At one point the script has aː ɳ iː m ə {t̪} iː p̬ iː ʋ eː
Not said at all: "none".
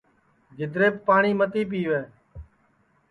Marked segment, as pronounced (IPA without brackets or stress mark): t̪